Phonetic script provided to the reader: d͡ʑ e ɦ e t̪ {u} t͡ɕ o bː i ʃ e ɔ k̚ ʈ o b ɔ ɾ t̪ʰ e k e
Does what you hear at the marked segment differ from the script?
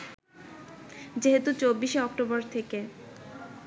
no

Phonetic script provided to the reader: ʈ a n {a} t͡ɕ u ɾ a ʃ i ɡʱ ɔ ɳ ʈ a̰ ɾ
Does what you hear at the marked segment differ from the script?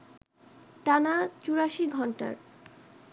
no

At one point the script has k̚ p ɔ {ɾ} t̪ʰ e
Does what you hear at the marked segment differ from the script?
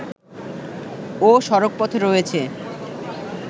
yes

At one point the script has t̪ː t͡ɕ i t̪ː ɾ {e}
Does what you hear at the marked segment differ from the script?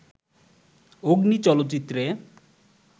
no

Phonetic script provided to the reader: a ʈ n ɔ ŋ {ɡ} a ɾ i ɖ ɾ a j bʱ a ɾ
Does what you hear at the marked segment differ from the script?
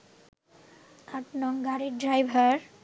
no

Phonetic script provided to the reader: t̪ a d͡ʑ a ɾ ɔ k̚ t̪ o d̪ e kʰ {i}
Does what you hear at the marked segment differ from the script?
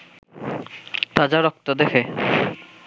yes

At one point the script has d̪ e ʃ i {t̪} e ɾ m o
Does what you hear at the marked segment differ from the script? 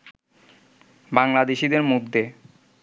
yes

